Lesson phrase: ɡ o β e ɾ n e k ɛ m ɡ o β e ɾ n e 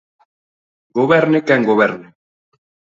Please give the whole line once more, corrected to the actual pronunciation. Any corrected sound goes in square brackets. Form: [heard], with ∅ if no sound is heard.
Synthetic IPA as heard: ɡ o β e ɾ n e k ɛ [ŋ] ɡ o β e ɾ n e